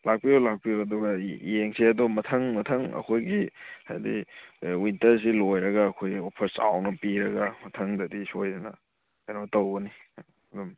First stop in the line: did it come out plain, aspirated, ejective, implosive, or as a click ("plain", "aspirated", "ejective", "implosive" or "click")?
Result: plain